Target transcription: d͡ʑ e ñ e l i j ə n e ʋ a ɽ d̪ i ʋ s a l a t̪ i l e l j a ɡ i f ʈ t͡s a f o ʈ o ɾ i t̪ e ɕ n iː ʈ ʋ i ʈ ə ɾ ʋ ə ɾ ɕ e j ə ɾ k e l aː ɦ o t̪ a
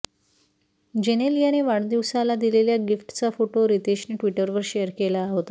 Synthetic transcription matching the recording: d͡ʑ e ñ e l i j a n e ʋ a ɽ d̪ i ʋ s a l a d̪ i l e l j a ɡ i f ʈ t͡s a f o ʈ o ɾ i t̪ e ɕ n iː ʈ ʋ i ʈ ə ɾ ʋ ə ɾ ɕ e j ə ɾ k e l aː ɦ o t̪ a